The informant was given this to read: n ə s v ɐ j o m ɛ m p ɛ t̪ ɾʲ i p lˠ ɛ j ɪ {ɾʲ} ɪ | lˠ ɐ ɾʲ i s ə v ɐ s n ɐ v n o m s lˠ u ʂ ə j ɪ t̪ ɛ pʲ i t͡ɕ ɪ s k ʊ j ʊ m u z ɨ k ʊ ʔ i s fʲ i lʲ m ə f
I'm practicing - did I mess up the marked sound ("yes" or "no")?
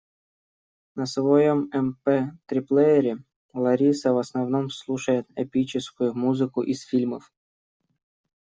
no